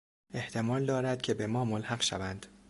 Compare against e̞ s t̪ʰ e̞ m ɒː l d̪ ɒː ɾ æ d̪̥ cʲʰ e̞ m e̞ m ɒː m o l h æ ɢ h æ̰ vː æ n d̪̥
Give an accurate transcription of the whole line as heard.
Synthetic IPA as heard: e̞ h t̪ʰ e̞ m ɒː l d̪ ɒː ɾ æ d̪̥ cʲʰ e̞ b e̞ m ɒː m o l h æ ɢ ʃ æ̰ v æ n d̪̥